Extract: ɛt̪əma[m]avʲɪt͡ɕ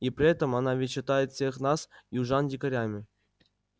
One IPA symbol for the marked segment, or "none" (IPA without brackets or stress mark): n